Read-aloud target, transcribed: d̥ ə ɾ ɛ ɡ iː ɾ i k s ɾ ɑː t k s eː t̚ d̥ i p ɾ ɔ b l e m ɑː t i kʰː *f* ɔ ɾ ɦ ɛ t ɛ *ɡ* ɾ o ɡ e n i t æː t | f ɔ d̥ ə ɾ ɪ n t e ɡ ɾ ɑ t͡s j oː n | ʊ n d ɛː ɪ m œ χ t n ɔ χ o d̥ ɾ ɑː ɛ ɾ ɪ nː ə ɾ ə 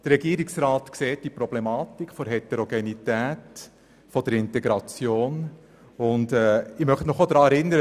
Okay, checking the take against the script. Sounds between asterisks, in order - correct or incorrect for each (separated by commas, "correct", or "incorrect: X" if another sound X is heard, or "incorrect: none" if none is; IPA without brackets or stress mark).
correct, incorrect: none